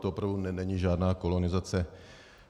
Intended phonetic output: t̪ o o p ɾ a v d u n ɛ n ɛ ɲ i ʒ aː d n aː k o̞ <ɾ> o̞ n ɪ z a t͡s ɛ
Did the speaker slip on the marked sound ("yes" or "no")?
yes